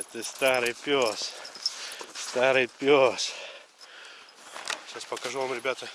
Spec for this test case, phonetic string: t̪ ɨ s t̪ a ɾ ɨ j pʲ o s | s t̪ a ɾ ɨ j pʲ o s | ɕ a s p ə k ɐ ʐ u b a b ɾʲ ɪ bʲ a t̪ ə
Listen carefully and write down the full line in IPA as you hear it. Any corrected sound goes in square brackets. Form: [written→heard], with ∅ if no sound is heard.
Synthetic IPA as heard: t̪ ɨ s t̪ a ɾ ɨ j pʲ o s | s t̪ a ɾ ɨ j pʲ o s | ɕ a s p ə k ɐ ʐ u [b→v] a [b→m] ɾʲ ɪ bʲ a t̪ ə